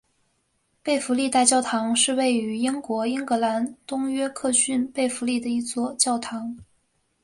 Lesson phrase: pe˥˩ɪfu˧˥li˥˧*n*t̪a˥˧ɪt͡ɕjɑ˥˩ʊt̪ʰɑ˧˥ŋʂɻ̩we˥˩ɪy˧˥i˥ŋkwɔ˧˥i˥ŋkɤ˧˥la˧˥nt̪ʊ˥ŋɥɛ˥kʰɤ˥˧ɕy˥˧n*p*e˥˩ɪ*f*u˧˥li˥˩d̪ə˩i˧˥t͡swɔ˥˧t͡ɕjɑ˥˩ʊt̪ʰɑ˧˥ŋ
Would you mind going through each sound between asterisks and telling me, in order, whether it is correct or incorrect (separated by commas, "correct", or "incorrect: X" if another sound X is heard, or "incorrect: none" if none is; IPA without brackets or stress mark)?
incorrect: none, correct, correct